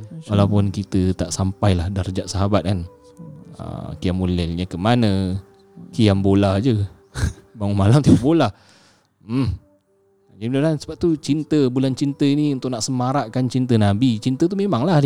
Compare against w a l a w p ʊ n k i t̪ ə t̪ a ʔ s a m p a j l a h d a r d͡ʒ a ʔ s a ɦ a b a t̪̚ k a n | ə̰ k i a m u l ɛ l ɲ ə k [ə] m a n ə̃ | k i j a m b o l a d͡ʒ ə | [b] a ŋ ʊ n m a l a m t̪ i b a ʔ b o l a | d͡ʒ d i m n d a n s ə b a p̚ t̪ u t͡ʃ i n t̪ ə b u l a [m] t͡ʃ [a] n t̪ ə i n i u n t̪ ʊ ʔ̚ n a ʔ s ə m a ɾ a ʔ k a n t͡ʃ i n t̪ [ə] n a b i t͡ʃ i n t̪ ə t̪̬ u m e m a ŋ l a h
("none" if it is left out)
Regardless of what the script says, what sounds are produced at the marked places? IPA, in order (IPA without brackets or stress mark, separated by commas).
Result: ə, b, n, i, ə